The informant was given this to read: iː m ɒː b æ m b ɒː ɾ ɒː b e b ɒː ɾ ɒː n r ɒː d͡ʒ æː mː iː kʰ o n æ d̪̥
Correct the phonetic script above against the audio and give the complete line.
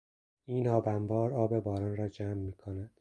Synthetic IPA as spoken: iː n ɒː b æ m b ɒː ɾ ɒː b e b ɒː ɾ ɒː n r ɒː d͡ʒ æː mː iː kʰ o n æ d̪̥